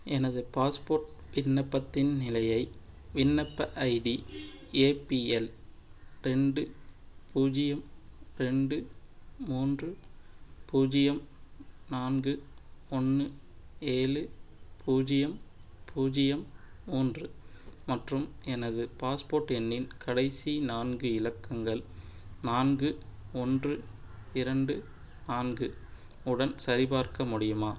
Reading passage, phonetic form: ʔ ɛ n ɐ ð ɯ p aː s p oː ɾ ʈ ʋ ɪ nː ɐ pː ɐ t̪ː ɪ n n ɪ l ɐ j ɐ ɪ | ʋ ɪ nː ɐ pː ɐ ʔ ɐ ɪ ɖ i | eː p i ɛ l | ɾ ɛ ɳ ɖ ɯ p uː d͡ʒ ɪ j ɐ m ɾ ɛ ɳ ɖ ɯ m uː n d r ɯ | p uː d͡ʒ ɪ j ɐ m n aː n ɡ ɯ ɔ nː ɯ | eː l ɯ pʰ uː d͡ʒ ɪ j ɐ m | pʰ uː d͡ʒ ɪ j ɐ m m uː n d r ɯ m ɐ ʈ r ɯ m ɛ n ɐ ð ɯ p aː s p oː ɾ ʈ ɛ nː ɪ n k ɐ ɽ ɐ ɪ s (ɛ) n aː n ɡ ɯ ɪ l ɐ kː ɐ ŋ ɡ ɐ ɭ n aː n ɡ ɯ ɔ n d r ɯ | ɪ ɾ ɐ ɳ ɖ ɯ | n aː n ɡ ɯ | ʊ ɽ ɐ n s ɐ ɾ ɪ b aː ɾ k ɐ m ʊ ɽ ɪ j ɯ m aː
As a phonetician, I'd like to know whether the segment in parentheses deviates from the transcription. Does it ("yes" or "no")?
yes